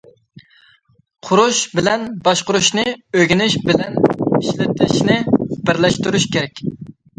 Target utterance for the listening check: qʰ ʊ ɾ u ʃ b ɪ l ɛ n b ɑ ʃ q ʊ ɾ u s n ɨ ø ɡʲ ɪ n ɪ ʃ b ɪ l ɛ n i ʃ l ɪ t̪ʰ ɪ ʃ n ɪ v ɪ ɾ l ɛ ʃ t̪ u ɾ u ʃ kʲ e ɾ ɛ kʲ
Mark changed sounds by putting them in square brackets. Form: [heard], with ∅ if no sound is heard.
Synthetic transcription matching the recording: qʰ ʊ ɾ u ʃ b ɪ l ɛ n b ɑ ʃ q ʊ ɾ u [ʃ] n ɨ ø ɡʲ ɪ n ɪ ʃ b ɪ l ɛ n i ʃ l ɪ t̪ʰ ɪ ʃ n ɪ [b] ɪ ɾ l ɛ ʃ t̪ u ɾ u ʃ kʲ e ɾ ɛ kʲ